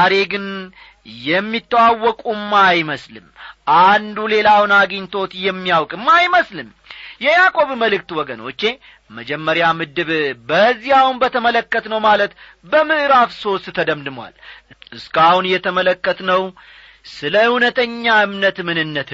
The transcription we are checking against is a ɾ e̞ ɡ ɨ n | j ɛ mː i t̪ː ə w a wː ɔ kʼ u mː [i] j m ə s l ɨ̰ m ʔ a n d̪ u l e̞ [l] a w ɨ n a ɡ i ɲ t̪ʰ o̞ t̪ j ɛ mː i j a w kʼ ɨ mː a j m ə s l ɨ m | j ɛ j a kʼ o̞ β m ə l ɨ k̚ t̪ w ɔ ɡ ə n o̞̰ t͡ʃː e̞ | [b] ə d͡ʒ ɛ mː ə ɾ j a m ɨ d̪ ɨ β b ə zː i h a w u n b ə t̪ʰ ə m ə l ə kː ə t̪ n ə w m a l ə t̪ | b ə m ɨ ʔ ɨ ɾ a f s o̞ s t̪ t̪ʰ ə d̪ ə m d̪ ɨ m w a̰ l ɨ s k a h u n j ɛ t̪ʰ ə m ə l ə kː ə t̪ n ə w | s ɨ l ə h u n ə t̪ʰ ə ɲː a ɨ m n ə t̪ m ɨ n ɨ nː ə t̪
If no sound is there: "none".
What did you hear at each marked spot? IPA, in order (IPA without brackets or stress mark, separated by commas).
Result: a, l, m